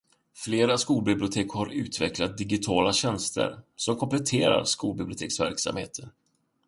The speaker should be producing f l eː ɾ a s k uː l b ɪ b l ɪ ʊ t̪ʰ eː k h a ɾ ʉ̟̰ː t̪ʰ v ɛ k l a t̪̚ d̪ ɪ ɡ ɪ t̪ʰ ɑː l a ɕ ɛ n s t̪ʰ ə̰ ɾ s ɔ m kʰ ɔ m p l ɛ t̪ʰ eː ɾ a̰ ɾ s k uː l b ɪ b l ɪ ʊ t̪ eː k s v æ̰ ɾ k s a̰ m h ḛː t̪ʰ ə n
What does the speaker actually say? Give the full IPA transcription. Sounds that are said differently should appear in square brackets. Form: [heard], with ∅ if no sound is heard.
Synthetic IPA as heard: f l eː ɾ a s k uː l b ɪ b l ɪ ʊ t̪ʰ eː k h a ɾ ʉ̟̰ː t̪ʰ v ɛ k l a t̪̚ d̪ ɪ ɡ ɪ t̪ʰ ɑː l a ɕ ɛ n s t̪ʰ ə̰ ɾ s ɔ m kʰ ɔ m p l ɛ t̪ʰ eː ɾ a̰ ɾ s k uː l b ɪ b l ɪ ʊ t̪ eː k s v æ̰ ɾ k s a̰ m h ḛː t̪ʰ ə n